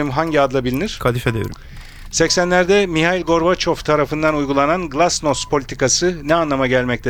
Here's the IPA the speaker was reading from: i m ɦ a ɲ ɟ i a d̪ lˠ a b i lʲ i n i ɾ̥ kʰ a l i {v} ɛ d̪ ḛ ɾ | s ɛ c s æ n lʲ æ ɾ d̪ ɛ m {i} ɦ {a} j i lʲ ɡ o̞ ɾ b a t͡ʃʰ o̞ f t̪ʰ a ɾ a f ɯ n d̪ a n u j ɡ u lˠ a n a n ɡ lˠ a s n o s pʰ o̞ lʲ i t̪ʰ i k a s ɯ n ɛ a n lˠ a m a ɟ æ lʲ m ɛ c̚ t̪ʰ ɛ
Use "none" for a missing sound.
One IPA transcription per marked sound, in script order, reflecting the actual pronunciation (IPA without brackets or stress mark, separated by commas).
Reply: f, i, a